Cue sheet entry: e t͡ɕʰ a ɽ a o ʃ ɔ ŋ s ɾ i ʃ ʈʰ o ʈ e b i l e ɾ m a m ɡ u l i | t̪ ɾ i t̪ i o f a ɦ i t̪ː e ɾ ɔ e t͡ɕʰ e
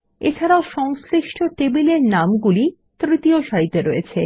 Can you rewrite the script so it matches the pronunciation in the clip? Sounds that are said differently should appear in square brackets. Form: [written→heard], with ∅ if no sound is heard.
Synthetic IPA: e t͡ɕʰ a [ɽ→ɾ] a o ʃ ɔ ŋ s ɾ i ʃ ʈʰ o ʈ e b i l e ɾ [m→n] a m ɡ u l i | t̪ ɾ i t̪ i o [f→ʃ] a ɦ i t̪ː e ɾ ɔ e t͡ɕʰ e